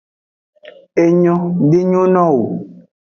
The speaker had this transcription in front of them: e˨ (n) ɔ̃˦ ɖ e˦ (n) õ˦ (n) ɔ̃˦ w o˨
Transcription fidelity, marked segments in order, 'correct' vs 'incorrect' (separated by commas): incorrect, incorrect, correct